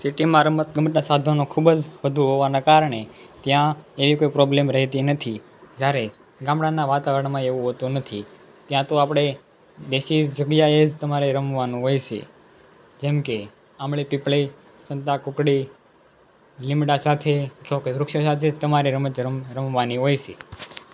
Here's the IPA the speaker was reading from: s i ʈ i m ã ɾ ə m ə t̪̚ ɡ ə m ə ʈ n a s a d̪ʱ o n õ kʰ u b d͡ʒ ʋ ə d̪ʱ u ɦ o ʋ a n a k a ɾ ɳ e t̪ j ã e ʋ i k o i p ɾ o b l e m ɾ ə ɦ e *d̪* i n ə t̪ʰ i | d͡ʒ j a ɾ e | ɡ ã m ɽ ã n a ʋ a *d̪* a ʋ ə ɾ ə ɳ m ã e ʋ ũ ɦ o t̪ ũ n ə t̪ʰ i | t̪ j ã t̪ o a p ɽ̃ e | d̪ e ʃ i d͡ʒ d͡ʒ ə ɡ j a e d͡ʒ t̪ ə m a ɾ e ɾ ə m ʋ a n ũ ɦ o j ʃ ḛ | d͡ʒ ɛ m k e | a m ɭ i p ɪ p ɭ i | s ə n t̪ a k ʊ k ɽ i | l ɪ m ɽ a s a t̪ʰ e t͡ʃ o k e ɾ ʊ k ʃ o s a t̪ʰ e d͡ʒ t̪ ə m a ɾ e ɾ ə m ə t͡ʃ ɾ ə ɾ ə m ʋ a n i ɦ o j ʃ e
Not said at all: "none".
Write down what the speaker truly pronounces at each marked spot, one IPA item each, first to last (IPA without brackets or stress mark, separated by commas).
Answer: t̪, t̪